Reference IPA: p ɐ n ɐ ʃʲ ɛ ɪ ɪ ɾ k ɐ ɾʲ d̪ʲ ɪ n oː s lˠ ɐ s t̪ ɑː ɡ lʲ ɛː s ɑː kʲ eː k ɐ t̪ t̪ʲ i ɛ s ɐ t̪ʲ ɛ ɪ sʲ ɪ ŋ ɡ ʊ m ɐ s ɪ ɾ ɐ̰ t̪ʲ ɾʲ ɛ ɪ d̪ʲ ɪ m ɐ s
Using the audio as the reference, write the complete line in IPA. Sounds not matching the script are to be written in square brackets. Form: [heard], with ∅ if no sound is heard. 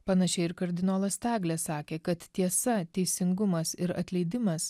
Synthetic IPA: p ɐ n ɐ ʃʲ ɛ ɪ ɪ ɾ k ɐ ɾʲ d̪ʲ ɪ n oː [∅] lˠ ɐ s t̪ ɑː ɡ lʲ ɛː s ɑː kʲ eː k ɐ t̪ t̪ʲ i ɛ s ɐ t̪ʲ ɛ ɪ sʲ ɪ ŋ ɡ ʊ m ɐ s ɪ ɾ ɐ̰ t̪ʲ [lʲ] ɛ ɪ d̪ʲ ɪ m ɐ s